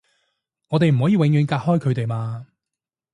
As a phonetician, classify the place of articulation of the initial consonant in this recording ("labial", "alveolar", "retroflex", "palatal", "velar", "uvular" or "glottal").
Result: velar